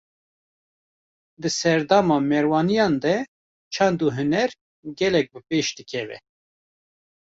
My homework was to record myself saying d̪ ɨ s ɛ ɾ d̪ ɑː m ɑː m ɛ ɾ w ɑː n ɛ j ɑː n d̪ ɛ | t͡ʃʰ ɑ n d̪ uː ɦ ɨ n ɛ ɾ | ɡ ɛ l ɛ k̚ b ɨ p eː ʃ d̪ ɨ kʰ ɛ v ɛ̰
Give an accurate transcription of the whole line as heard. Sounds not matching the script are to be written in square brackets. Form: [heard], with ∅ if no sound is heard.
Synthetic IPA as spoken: d̪ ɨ s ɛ ɾ d̪ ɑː m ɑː m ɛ ɾ w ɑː n [i] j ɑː n d̪ ɛ | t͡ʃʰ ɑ n d̪ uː ɦ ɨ n ɛ ɾ | ɡ ɛ l ɛ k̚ b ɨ p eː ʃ d̪ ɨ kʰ ɛ v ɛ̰